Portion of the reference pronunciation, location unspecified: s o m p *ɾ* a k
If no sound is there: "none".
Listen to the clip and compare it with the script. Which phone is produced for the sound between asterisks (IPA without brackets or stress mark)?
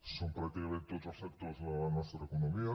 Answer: ɾ